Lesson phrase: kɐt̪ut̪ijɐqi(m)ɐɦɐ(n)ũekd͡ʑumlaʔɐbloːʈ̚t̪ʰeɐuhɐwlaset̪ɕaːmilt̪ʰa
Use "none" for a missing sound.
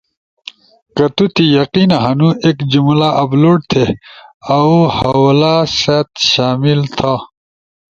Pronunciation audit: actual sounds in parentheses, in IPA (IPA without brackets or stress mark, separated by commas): n, n